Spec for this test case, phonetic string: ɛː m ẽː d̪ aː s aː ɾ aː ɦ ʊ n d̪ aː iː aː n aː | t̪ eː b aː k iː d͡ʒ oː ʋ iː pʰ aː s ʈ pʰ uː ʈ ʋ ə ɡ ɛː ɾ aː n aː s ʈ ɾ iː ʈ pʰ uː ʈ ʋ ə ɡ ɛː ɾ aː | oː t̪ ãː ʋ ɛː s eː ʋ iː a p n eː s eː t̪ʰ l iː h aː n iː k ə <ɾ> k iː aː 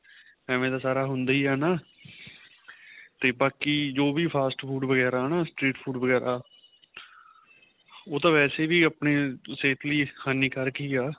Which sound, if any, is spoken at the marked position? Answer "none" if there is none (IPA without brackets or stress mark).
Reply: ɾ